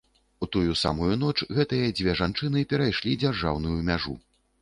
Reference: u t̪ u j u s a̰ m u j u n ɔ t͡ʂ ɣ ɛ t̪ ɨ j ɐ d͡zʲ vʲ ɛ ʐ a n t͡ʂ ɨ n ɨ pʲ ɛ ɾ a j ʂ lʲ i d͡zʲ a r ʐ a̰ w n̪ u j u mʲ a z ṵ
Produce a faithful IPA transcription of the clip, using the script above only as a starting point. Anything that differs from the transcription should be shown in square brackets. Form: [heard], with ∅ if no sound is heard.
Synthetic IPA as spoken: u t̪ u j u s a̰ m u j u n ɔ t͡ʂ ɣ ɛ t̪ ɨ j ɐ d͡zʲ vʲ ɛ ʐ a n t͡ʂ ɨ n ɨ pʲ ɛ ɾ a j ʂ lʲ i d͡zʲ a r ʐ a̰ w n̪ u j u mʲ a [ʐ] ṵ